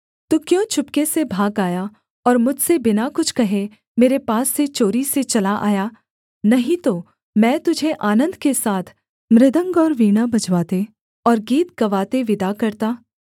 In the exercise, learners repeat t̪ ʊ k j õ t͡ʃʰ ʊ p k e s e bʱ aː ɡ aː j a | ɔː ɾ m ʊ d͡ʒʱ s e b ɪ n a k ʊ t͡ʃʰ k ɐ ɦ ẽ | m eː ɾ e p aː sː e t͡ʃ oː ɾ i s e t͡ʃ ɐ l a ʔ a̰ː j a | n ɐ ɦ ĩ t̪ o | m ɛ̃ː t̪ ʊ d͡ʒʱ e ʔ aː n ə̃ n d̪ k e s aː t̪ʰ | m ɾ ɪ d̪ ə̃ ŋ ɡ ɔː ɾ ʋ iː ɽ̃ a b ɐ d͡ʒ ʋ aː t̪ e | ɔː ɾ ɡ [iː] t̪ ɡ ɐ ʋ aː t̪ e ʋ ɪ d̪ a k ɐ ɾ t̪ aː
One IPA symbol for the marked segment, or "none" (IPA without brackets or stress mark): iː